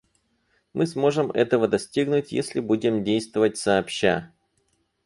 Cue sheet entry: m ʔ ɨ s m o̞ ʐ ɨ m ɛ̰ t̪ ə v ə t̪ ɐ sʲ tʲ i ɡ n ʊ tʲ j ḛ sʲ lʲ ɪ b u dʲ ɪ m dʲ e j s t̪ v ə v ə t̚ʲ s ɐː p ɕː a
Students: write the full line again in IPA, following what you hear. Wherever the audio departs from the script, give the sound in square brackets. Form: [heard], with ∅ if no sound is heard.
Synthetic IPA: m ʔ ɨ s m o̞ ʐ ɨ m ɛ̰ t̪ ə v ə [d̪] ɐ sʲ tʲ i ɡ n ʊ tʲ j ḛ sʲ lʲ ɪ b u dʲ ɪ m dʲ e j s t̪ v ə v ə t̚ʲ s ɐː p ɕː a

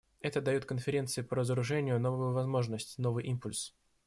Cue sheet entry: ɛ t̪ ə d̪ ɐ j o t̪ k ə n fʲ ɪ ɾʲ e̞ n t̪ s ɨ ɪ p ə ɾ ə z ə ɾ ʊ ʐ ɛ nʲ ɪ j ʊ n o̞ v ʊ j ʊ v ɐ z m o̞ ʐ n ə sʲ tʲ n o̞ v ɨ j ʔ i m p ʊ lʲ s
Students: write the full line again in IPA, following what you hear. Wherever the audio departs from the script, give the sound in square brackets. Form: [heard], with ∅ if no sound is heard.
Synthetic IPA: ɛ t̪ ə d̪ ɐ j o t̪ k ə n fʲ ɪ ɾʲ e̞ n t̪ s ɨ ɪ p ə ɾ ə z ə ɾ ʊ ʐ ɛ nʲ ɪ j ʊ n o̞ v ʊ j ʊ v ɐ z m o̞ ʐ n ə sʲ tʲ n o̞ v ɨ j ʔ i m p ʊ lʲ s

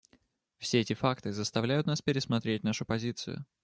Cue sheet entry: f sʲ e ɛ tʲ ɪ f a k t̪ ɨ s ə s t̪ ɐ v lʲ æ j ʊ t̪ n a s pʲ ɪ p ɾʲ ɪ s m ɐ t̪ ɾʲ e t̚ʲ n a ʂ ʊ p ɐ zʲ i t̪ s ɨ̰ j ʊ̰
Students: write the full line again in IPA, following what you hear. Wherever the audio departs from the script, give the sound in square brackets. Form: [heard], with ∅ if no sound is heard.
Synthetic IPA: f sʲ e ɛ tʲ ɪ f a k t̪ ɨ [z] ə s t̪ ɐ v lʲ æ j ʊ t̪ n a s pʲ ɪ [∅] ɾʲ ɪ s m ɐ t̪ ɾʲ e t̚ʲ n a ʂ ʊ p ɐ zʲ i t̪ s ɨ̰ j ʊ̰

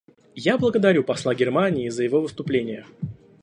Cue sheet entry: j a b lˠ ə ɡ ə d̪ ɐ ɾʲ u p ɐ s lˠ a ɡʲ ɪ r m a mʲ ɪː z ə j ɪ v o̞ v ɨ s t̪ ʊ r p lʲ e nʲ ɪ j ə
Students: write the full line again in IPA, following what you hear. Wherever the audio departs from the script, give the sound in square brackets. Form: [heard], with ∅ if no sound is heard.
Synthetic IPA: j a b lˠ ə ɡ ə d̪ ɐ ɾʲ u p ɐ s lˠ a ɡʲ ɪ r m a [nʲ] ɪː z ə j ɪ v o̞ v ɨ s t̪ ʊ [∅] p lʲ e nʲ ɪ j ə

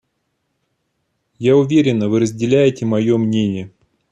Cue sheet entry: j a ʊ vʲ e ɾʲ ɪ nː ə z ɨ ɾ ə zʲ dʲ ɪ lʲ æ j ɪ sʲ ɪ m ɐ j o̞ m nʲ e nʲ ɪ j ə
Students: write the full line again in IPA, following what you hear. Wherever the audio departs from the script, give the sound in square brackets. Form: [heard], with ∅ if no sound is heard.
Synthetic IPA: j a ʊ vʲ e ɾʲ ɪ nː ə [v] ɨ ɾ ə zʲ dʲ ɪ lʲ æ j ɪ [tʲ] ɪ m ɐ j o̞ m nʲ e nʲ ɪ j ə

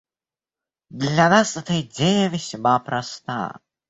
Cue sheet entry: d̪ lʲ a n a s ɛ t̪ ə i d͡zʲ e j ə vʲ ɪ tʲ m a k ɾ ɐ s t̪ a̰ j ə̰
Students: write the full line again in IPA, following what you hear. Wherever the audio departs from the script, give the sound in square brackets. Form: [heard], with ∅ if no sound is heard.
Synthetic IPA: d̪ lʲ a n a s ɛ t̪ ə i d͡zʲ e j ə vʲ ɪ [sʲ] m a [p] ɾ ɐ s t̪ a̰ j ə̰

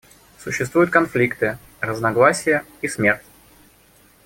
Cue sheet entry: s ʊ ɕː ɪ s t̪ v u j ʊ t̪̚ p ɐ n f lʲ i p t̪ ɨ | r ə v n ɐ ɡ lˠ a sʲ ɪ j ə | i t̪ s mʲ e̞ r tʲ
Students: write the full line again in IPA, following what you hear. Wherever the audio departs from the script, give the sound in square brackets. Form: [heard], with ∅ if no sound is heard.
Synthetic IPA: s ʊ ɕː ɪ s t̪ v u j ʊ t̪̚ [k] ɐ n f lʲ i [k] t̪ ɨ | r ə [z] n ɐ ɡ lˠ a sʲ ɪ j ə | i [∅] s mʲ e̞ r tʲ

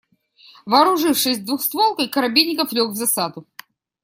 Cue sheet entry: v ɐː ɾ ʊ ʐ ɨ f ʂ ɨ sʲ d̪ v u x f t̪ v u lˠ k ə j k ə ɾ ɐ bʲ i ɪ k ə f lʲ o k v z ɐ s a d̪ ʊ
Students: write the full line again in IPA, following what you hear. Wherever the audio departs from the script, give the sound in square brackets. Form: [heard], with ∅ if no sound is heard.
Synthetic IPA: v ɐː ɾ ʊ ʐ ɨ f ʂ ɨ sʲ d̪ v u x [s] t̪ v [o] lˠ k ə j k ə ɾ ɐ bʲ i ɪ k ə f lʲ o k v z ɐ s a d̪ ʊ

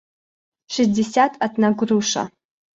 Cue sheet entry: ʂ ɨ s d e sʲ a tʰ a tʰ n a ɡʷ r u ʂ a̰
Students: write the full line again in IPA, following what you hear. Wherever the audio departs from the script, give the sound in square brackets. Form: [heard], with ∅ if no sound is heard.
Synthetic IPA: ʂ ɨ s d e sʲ a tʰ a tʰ n a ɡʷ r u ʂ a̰

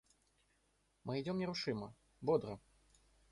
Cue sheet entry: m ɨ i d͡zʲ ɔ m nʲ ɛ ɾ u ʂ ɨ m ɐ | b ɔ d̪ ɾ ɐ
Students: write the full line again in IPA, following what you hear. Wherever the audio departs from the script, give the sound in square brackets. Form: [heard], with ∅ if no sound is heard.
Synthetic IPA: m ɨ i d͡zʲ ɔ m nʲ ɛ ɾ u ʂ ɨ m ɐ | b ɔ d̪ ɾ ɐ

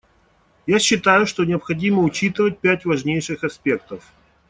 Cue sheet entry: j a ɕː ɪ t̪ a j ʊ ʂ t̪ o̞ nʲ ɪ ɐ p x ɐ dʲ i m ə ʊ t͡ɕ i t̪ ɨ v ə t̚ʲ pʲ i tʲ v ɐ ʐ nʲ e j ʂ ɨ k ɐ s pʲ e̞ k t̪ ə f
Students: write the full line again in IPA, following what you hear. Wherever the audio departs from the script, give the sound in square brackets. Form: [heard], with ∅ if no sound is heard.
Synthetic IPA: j a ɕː ɪ t̪ a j ʊ ʂ t̪ o̞ nʲ ɪ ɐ p x ɐ dʲ i m ə ʊ t͡ɕ i t̪ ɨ v ə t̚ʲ pʲ [æ] tʲ v ɐ ʐ nʲ e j ʂ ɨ [x] ɐ s pʲ e̞ k t̪ ə f

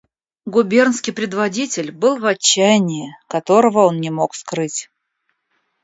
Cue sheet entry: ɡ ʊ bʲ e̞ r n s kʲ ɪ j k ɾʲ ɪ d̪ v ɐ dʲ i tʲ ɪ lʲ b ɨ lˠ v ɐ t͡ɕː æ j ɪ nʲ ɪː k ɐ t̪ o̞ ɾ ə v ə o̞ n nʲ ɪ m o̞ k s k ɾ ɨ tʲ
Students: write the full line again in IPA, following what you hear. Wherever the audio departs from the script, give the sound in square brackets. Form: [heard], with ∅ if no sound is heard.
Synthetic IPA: ɡ ʊ bʲ e̞ r n s kʲ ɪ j [p] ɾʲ ɪ d̪ v ɐ dʲ i tʲ ɪ lʲ b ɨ lˠ v ɐ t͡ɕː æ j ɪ nʲ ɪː k ɐ t̪ o̞ ɾ ə v ə o̞ n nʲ ɪ m o̞ k s k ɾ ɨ tʲ

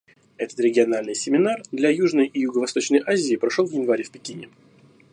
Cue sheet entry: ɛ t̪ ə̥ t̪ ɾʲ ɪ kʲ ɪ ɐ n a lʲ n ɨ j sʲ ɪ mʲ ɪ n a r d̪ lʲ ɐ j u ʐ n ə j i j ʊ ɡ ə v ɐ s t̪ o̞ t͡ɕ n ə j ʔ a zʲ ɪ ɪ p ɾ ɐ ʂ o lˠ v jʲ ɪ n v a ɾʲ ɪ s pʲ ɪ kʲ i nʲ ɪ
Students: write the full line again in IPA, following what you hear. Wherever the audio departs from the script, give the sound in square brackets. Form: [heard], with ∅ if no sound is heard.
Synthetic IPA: ɛ t̪ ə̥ t̪ ɾʲ ɪ [ɡʲ] ɪ ɐ n a lʲ n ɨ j sʲ ɪ mʲ ɪ n a r d̪ lʲ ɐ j u ʐ n ə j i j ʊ ɡ ə v ɐ s t̪ o̞ t͡ɕ n ə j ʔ a zʲ ɪ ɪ p ɾ ɐ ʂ o lˠ v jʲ ɪ n v a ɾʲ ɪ [f] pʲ ɪ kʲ i nʲ ɪ

